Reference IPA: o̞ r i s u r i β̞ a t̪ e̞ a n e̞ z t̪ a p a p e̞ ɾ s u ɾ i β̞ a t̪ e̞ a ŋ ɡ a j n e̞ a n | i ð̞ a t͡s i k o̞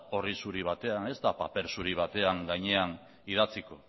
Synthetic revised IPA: o̞ r i s u ɾ i β̞ a t̪ e̞ a n e̞ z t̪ a p a p e̞ ɾ s u ɾ i β̞ a t̪ e̞ a ŋ ɡ a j ɲ e̞ a n | i ð̞ a t͡s i k o̞

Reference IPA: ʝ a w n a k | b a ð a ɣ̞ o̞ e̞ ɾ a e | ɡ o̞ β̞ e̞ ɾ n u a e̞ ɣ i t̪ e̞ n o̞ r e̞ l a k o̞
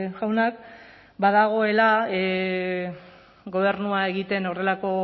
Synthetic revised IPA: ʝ a w n a k | b a ð a ɣ̞ o̞ e̞ l a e | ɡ o̞ β̞ e̞ ɾ n u a e̞ ɣ i t̪ e̞ n o̞ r e̞ l a k o̞

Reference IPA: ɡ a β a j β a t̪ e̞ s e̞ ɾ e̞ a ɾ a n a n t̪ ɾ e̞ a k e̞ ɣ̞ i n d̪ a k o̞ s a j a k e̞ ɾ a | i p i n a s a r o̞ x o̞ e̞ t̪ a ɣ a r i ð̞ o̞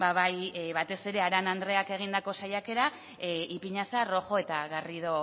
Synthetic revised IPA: b a β a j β a t̪ e̞ s e̞ ɾ e̞ a ɾ a n a n d̪ ɾ e̞ a k e̞ ɣ̞ i n d̪ a k o̞ s a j a k e̞ ɾ a | i p i ɲ a s a r o̞ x o̞ e̞ t̪ a ɣ a r i ð̞ o̞

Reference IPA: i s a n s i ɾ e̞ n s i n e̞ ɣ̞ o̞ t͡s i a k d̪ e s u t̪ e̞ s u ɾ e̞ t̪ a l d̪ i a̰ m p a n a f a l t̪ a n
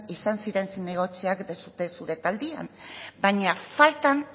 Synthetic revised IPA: i s a n s i ɾ e̞ n s i n e̞ ɣ̞ o̞ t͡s i a k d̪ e s u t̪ e̞ s u ɾ e̞ t̪ a l d̪ i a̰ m b a ɲ a f a l t̪ a n

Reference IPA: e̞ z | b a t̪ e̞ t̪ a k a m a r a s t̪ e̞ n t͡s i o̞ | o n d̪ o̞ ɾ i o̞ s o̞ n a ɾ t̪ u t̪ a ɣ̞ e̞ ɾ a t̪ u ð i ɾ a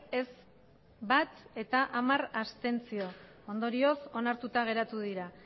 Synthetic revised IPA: e̞ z | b a t̪ e̞ t̪ a ʔ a m a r a s t̪ e̞ n t͡s i o̞ | o n d̪ o̞ ɾ i o̞ s o̞ n a ɾ t̪ u t̪ a ɣ̞ e̞ ɾ a t̪ u ð i ɾ a

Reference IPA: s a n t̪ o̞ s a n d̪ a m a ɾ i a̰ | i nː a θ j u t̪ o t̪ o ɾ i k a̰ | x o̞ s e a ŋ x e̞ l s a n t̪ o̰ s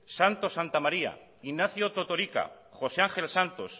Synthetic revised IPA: s a n t̪ o̞ s a n t̪ a m a ɾ i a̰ | i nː a θ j o t̪ o t̪ o ɾ i k a̰ | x o̞ s e a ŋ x e̞ l s a n t̪ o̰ s

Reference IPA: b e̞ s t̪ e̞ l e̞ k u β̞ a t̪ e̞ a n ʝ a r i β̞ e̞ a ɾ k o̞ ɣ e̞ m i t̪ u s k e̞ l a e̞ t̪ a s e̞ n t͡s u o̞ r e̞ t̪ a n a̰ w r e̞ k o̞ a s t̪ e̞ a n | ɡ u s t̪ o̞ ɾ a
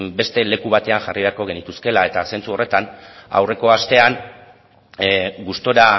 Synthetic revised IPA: b e̞ s t̪ e̞ l e̞ k u β̞ a t̪ e̞ a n ʝ a r i β̞ e̞ a ɾ k o̞ ɣ e̞ n i t̪ u s k e̞ l a e̞ t̪ a s e̞ n t͡s u o̞ r e̞ t̪ a n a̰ w r e̞ k o̞ a s t̪ e̞ a n | ɡ u s t̪ o̞ ɾ a

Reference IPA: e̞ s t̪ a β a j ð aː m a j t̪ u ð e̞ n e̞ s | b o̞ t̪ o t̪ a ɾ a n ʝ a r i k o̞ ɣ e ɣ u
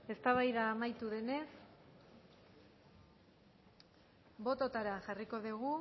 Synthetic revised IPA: e̞ s t̪ a β a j ð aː m a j t̪ u ð e̞ n e̞ s | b o̞ t̪ o t̪ a ɾ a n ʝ a r i k o̞ ð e ɣ u

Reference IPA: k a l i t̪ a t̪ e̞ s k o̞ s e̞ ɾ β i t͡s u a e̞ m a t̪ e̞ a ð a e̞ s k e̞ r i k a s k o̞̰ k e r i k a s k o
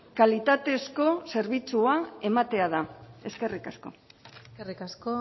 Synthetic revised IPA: k a l i t̪ a t̪ e̞ s k o̞ s e̞ ɾ β i t͡s u a e̞ m a t̪ e̞ a ð a e̞ s k e̞ r i k a s k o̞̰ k e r i k a s k o

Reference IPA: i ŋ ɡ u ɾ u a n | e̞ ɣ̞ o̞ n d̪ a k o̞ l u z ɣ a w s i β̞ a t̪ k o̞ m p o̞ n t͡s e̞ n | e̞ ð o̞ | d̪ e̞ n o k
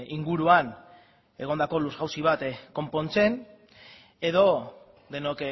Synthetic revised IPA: i ŋ ɡ u ɾ u a n | e̞ ɣ̞ o̞ n d̪ a k o̞ l u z ɣ a w s i β̞ a t̪ k o̞ m p o̞ n t͡s e̞ n | e̞ ð o̞ | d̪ e̞ n o k

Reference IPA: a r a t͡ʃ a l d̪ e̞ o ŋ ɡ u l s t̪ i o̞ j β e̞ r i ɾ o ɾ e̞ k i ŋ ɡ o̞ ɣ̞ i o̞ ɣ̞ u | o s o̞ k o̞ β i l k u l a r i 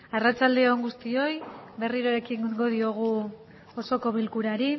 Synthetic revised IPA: a r a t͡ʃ a l d̪ e̞ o ŋ ɡ u s t̪ i o̞ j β e̞ r i ɾ o ɾ e̞ k i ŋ ɡ o̞ ð̞ i o̞ ɣ̞ u | o s o̞ k o̞ β i l k u ɾ a ɾ i

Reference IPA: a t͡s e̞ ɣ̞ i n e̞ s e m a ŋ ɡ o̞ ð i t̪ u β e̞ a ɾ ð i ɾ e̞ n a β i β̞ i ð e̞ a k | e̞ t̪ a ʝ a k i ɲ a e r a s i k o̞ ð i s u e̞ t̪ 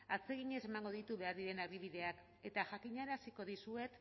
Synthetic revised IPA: a t͡s e̞ ɣ̞ i ɲ e̞ s e m a ŋ ɡ o̞ ð i t̪ u β e̞ a ɾ ð i ɾ e̞ n a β i β̞ i ð e̞ a k | e̞ t̪ a ʝ a k i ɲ a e ɾ a s i k o̞ ð i s u e̞ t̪

